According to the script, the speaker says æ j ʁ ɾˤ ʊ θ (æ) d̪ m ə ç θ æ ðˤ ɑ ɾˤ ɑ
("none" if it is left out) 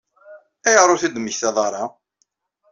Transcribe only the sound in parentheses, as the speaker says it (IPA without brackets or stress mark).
i